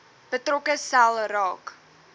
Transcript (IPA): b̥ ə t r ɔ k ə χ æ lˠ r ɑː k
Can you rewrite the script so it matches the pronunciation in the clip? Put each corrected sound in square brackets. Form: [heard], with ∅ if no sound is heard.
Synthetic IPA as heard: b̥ ə t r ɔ k ə [s] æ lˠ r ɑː k